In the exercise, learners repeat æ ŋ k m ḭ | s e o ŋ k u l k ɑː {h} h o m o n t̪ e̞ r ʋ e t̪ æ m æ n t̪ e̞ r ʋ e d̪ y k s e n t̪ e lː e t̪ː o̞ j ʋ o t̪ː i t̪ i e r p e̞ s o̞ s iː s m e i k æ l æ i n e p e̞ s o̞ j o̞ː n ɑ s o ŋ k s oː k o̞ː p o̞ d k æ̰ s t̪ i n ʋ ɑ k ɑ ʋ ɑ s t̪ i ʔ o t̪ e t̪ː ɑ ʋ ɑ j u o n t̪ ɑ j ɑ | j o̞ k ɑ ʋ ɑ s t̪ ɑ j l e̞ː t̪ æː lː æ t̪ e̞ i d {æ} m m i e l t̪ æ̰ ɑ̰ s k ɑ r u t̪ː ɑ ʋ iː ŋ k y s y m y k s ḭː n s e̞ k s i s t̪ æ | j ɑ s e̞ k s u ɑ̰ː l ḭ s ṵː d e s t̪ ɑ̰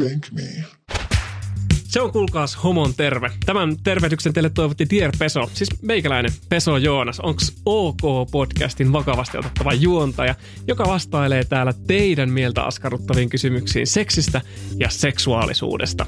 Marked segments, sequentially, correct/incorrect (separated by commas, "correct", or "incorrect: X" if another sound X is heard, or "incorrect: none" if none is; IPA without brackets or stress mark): incorrect: s, correct